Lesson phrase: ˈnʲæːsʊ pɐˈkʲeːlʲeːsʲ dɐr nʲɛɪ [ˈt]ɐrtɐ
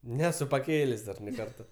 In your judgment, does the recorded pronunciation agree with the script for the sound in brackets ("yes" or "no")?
no